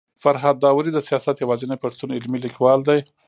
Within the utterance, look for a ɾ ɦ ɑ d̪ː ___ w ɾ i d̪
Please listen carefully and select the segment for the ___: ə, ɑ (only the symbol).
ɑ